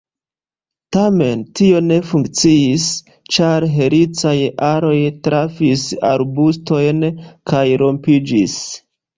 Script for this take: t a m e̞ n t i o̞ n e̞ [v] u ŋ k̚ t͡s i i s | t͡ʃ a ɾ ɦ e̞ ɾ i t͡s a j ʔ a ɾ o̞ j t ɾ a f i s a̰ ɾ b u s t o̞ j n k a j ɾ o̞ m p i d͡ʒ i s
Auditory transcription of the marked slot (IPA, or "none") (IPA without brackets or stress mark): f